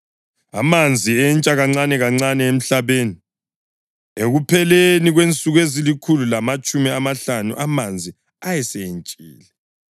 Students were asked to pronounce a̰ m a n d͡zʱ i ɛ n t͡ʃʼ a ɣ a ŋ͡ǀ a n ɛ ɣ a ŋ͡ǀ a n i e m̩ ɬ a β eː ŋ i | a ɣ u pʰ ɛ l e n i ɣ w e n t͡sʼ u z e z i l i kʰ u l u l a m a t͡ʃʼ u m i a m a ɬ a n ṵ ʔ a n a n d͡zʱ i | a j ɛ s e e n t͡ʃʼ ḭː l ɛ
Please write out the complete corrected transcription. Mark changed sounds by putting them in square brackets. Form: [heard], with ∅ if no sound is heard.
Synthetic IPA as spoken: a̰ m a n d͡zʱ i ɛ n t͡ʃʼ a ɣ a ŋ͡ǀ a n ɛ ɣ a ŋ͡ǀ a n [ɛ] e m̩ ɬ a β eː [n] i | [e] ɣ u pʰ ɛ l e n i ɣ w e n t͡sʼ u [ɣ] e z i l i kʰ u l u l a m a t͡ʃʼ u m i a m a ɬ a n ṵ ʔ a [m] a n d͡zʱ i | a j ɛ s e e n t͡ʃʼ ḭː l ɛ